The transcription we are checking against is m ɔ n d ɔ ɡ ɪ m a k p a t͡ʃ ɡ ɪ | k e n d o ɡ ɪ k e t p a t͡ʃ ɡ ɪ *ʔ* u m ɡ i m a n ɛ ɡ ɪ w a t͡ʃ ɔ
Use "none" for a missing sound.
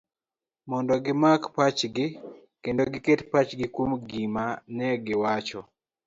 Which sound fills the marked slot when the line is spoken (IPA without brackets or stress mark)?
k